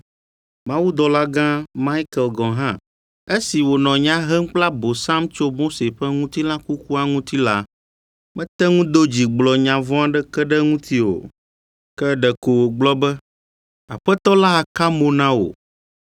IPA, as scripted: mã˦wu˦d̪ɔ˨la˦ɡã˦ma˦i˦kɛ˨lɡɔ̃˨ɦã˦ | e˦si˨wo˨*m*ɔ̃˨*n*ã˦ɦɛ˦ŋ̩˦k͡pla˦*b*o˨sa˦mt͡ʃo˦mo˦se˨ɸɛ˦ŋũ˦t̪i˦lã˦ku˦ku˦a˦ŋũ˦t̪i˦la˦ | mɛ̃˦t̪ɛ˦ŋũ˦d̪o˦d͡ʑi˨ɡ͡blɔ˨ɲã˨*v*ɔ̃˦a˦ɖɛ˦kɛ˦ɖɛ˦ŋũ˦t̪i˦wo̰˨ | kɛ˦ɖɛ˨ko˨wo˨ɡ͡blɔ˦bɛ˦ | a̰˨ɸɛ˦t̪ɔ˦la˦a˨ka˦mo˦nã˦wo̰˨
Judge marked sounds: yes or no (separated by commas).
no, no, yes, yes